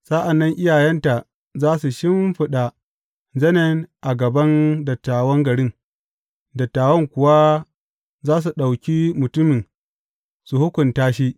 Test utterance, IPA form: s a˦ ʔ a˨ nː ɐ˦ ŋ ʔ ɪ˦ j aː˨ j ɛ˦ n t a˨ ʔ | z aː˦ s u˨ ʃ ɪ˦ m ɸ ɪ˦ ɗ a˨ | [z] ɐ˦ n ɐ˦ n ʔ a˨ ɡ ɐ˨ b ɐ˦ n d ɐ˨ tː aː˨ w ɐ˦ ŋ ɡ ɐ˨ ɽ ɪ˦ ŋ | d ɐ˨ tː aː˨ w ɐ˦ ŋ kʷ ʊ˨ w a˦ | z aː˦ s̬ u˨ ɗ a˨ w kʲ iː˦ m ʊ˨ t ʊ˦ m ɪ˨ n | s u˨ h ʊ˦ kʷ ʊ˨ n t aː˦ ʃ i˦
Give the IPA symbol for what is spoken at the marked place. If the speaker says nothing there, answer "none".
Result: z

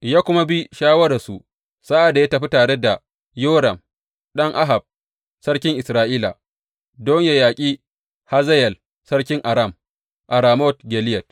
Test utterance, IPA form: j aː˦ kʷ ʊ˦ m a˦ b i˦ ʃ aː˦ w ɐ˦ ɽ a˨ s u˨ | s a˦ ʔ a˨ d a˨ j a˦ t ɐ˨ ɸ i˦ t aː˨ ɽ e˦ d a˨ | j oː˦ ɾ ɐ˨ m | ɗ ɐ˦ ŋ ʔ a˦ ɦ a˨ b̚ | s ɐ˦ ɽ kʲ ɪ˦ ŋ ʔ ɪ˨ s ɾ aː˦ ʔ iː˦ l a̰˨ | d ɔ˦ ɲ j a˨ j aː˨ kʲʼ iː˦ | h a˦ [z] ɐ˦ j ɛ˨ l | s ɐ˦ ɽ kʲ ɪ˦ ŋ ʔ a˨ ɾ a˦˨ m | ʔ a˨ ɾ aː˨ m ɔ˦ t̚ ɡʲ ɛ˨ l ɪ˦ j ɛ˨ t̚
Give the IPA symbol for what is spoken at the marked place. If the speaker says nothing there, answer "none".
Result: z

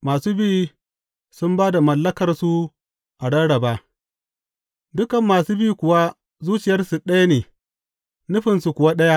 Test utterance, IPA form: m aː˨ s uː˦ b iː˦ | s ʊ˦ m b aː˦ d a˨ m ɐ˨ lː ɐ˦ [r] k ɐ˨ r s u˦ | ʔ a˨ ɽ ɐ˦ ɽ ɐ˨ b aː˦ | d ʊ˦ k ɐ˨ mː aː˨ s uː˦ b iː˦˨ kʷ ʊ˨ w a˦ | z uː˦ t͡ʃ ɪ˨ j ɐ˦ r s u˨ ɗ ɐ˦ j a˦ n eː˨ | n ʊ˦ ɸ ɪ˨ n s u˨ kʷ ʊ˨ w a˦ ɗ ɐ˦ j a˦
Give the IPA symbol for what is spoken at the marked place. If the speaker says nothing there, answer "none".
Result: none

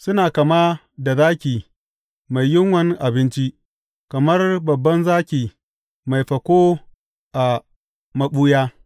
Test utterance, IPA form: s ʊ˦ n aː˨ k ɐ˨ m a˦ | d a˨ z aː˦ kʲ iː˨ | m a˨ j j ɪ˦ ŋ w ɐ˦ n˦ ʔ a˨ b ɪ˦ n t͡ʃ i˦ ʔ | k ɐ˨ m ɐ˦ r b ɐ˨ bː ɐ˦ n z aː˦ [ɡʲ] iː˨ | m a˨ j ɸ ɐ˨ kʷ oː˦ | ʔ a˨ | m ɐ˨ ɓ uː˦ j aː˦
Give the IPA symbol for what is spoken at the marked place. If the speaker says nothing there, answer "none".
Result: kʲ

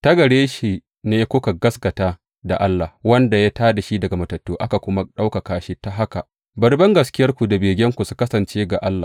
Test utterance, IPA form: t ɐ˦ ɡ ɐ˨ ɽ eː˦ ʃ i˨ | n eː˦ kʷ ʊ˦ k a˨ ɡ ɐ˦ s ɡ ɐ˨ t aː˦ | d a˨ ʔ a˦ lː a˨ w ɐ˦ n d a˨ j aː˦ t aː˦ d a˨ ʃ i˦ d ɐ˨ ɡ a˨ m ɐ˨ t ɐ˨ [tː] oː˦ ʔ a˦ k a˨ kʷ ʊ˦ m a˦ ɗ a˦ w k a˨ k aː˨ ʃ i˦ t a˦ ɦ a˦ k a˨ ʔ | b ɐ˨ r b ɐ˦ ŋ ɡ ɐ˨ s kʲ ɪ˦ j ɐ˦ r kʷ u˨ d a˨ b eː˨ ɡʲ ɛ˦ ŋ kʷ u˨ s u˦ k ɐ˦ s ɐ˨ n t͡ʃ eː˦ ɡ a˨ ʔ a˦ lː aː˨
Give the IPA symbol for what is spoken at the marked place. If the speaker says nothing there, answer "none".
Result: tː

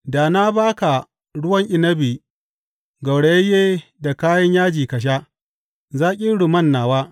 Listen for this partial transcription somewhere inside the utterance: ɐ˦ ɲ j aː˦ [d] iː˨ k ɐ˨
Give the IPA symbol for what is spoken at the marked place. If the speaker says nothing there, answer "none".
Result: d͡ʒ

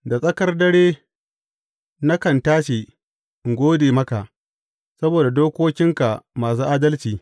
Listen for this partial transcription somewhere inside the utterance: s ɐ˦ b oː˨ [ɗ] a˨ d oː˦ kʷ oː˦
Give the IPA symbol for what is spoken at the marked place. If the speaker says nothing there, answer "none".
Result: d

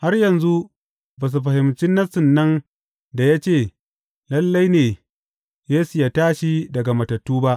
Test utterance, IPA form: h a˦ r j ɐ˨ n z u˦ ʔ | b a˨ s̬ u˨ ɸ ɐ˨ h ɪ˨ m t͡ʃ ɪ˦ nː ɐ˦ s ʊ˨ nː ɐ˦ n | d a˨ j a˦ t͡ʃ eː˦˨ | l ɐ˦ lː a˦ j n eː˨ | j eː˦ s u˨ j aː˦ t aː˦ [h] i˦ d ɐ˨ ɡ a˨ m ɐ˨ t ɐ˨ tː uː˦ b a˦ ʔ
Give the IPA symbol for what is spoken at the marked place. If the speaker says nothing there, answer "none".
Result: ʃ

